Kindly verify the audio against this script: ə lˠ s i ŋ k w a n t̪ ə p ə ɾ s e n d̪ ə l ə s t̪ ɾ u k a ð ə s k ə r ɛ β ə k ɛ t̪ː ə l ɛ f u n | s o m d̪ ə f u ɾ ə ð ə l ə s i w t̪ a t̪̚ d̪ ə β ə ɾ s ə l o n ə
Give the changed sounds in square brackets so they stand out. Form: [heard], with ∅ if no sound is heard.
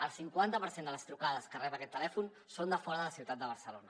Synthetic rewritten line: ə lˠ s i ŋ k w a n t̪ ə p ə ɾ s e n d̪ ə l ə s t̪ ɾ u k a ð ə s k ə r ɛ β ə k ɛ t̪ː ə l ɛ f u n | s o [n] d̪ ə f [ɔ] ɾ ə ð ə l ə s i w t̪ a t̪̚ d̪ ə β ə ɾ s ə l o n ə